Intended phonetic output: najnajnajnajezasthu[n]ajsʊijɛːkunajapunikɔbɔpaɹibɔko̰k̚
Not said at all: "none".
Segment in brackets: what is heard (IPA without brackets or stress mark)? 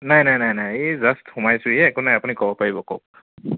m